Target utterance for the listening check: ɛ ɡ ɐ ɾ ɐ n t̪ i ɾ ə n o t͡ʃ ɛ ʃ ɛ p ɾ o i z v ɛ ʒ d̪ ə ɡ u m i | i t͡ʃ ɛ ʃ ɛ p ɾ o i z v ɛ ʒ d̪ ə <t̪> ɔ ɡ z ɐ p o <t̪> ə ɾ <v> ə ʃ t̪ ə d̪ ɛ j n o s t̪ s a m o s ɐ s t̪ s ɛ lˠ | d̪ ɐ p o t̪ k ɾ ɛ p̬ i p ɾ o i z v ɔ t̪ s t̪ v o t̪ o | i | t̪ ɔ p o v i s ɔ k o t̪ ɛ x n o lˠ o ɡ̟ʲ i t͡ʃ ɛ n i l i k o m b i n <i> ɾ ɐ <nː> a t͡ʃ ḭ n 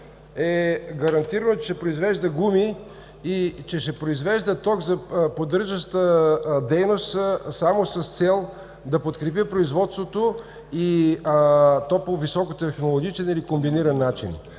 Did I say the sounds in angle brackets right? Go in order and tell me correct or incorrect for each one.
correct, incorrect, incorrect, correct, correct

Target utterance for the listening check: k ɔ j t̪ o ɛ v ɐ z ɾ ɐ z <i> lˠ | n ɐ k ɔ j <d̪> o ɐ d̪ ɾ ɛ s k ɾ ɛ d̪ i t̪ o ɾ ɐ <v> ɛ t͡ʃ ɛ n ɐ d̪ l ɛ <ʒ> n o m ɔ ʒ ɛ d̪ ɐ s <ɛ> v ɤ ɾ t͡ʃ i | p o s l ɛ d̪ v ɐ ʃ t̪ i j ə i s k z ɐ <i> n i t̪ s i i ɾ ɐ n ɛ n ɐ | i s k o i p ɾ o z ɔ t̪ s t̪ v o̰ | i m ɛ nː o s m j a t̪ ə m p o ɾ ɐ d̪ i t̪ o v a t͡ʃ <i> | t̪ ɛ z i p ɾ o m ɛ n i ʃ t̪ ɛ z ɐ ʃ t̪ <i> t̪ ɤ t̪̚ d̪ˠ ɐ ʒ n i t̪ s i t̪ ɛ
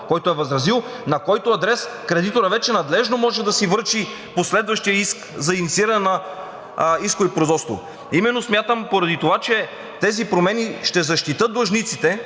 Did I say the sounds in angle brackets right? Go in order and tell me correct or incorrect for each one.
correct, incorrect, correct, correct, incorrect, correct, incorrect, correct

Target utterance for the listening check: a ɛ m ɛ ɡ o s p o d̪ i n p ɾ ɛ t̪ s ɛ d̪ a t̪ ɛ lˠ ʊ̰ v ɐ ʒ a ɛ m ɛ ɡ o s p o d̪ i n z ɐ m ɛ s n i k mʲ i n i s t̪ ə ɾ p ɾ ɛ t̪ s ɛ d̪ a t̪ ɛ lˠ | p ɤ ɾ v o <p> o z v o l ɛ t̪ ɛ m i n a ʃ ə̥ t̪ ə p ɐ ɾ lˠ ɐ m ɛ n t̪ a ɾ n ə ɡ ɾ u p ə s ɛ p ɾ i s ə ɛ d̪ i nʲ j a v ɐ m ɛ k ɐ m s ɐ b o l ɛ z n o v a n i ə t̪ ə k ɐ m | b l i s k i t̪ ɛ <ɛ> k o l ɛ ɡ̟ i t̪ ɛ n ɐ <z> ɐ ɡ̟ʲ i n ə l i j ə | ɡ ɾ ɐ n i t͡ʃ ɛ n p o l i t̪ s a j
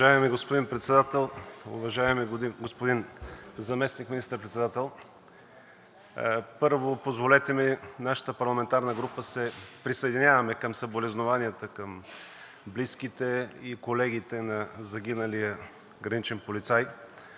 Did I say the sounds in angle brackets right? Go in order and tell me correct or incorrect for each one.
correct, incorrect, correct

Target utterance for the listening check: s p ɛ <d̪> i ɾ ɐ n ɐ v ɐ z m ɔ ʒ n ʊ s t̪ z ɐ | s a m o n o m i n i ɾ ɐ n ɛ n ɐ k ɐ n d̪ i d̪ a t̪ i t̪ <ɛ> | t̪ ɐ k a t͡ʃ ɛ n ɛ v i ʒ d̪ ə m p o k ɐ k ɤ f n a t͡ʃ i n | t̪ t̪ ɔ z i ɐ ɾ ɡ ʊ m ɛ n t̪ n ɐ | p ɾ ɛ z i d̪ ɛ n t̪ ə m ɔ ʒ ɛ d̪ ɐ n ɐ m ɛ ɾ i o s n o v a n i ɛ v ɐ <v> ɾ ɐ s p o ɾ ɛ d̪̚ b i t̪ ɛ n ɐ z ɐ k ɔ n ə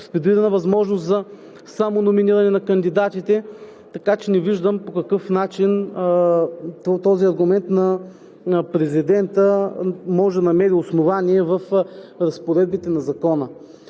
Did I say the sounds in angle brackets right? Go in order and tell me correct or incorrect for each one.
correct, correct, incorrect

